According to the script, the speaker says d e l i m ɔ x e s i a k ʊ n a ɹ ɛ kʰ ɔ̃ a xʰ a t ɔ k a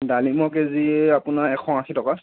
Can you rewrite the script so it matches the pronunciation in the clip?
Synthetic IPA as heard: d a l i m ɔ k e z i a p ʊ n a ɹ ɛ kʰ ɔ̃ a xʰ i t ɔ k a